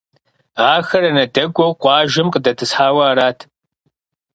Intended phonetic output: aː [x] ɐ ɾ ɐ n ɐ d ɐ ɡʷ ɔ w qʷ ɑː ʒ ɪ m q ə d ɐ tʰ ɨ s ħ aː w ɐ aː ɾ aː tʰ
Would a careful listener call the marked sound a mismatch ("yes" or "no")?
no